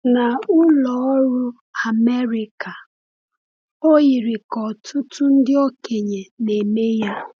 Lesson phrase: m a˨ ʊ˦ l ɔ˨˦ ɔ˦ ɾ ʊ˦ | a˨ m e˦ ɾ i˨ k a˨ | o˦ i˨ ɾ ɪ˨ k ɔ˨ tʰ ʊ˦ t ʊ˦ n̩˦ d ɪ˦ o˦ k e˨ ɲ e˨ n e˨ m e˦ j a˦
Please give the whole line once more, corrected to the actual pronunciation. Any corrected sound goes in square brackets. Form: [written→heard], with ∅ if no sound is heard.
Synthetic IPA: [m→n] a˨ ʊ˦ l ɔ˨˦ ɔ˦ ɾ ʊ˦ | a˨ m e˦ ɾ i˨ k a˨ | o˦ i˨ ɾ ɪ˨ k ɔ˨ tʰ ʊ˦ t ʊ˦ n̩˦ d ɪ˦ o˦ k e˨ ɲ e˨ n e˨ m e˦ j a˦